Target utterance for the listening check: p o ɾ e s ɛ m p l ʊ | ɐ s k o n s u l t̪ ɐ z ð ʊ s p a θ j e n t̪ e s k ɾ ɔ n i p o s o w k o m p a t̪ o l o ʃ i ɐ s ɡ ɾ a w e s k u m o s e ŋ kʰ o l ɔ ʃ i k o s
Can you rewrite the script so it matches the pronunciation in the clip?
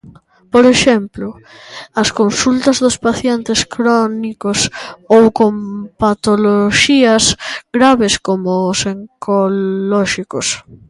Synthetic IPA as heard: p o ɾ e ʃ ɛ m p l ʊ | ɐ s k o n s u l t̪ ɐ z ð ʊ s p a θ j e n t̪ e s k ɾ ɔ n i k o s o w k o m p a t̪ o l o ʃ i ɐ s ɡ ɾ a β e s k o m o s e ŋ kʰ o l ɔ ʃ i k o s